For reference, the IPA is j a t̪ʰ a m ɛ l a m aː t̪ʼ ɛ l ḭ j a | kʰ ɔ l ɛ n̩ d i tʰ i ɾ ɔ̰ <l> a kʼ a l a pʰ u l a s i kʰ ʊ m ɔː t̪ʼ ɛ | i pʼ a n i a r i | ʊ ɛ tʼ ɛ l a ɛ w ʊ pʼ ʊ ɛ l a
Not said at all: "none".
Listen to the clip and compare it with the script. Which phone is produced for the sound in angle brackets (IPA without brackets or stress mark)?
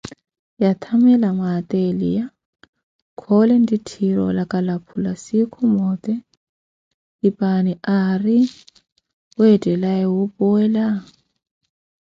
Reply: l